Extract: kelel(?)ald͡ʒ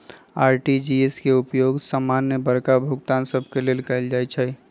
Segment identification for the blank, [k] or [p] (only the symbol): k